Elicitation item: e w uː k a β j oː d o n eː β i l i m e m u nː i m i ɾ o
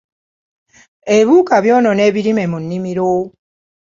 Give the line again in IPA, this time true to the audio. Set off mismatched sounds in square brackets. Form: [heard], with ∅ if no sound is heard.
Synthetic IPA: e [β] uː k a β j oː [n] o n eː β i [ɾ] i m e m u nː i m i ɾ o